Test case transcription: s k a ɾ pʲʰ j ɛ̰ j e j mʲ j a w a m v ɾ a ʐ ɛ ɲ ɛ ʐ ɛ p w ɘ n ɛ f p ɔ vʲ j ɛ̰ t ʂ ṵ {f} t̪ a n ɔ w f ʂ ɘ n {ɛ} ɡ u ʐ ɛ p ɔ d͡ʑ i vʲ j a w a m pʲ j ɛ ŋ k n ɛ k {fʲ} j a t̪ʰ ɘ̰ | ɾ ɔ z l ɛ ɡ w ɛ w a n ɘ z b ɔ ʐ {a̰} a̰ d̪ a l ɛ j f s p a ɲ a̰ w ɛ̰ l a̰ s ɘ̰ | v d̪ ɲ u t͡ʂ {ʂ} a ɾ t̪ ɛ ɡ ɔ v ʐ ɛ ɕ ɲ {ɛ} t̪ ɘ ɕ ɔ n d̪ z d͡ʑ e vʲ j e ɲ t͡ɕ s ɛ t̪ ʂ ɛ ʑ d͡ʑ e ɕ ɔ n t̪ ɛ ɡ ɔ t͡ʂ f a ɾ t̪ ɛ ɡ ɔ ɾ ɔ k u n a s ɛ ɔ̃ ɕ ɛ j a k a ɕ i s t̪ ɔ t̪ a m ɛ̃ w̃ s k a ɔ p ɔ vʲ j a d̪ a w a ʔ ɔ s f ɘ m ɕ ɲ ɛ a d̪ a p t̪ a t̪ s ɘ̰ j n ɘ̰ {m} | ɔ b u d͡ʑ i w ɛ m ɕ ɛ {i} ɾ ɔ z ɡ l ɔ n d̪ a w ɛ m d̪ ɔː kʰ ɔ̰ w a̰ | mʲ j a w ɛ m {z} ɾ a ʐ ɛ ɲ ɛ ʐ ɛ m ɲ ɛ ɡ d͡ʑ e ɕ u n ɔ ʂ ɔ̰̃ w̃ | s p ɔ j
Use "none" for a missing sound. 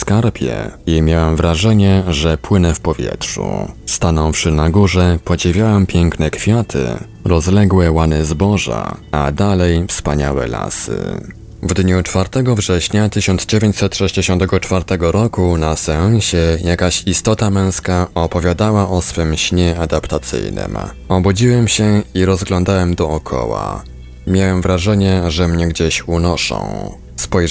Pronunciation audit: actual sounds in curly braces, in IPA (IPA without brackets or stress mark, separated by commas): s, a, fʲ, a̰, f, a, m, i, v